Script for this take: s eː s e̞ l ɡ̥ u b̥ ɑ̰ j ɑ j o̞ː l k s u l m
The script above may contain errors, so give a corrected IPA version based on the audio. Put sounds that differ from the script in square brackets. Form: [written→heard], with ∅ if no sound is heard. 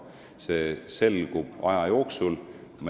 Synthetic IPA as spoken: s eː s e̞ l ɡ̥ u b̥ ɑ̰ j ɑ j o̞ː [l→∅] k s u l m